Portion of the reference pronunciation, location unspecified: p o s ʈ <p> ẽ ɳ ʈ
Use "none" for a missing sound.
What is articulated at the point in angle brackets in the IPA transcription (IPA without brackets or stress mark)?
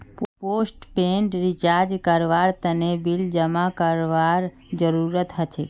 p